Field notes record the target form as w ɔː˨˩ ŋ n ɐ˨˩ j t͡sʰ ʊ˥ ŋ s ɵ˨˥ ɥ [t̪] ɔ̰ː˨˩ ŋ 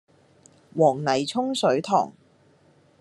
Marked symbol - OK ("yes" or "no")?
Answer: no